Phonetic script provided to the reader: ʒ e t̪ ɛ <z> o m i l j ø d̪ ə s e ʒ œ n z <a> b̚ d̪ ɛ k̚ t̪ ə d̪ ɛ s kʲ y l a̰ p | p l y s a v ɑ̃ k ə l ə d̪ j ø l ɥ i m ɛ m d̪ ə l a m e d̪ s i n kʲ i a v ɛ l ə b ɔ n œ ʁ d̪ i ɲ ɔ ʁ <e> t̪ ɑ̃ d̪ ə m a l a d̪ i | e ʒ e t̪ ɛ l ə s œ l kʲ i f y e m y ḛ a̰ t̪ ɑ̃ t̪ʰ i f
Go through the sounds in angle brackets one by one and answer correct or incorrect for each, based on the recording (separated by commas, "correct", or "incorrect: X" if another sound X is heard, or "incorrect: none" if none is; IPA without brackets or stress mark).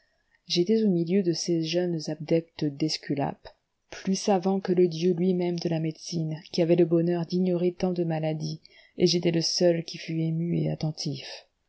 correct, correct, correct